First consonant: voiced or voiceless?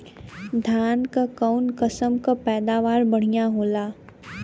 voiced